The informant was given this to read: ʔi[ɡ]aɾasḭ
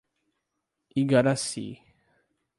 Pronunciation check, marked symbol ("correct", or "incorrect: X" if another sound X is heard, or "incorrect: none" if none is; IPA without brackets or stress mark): correct